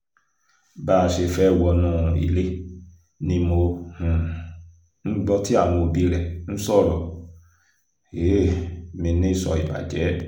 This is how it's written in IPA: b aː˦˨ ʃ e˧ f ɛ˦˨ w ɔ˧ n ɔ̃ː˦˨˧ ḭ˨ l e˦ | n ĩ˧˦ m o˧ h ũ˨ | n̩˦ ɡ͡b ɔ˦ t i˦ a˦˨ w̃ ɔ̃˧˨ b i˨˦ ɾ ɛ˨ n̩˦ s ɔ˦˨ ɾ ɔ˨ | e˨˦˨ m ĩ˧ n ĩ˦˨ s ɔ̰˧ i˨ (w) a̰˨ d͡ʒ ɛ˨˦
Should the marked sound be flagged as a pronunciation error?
yes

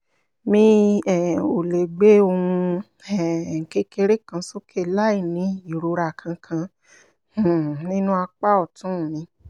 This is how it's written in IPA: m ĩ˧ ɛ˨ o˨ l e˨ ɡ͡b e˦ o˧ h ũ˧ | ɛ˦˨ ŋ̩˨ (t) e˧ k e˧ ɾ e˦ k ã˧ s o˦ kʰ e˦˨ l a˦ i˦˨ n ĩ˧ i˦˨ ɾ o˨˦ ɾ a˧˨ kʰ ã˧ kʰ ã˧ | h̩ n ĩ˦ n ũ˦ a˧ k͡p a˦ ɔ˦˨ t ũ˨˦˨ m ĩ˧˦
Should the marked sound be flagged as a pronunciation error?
yes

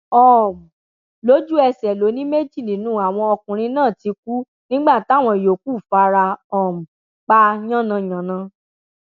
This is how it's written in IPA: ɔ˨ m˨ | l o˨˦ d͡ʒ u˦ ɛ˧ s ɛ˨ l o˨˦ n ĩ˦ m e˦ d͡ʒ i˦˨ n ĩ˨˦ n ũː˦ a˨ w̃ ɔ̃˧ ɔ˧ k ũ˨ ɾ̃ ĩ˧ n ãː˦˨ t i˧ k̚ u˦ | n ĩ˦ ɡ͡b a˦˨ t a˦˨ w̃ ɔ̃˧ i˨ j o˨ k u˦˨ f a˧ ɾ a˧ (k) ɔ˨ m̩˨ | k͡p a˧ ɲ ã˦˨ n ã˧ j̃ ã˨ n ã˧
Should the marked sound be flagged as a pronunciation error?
yes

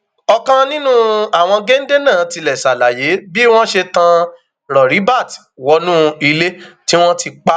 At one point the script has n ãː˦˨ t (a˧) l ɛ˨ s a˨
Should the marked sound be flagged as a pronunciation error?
yes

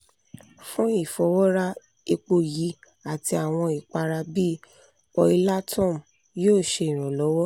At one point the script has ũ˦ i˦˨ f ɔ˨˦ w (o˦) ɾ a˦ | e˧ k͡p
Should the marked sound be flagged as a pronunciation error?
yes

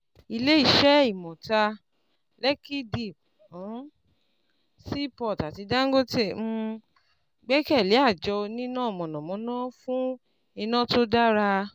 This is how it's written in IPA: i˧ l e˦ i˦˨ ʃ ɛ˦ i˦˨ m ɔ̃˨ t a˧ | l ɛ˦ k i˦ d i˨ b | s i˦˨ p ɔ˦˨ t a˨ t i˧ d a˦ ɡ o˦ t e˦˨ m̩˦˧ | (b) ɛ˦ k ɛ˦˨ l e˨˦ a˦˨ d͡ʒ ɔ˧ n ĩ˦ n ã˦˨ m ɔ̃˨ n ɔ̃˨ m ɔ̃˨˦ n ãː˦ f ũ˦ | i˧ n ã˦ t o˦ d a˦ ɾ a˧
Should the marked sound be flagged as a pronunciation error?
yes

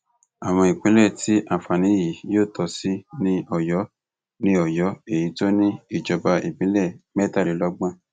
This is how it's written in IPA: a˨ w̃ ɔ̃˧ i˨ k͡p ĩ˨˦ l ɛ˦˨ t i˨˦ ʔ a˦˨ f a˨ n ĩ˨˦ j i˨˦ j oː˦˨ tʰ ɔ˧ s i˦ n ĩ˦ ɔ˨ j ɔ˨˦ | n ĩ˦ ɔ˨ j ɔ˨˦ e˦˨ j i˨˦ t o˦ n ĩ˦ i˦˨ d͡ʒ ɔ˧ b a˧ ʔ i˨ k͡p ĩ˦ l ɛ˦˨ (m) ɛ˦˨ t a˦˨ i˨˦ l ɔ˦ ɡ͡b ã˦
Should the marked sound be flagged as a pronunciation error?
no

